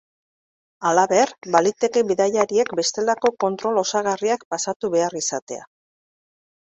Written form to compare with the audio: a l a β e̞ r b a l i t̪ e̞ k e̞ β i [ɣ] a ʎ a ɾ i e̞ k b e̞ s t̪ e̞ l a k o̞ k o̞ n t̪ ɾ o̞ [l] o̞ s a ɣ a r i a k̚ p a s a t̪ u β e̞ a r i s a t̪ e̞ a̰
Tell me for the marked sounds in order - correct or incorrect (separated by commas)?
incorrect, correct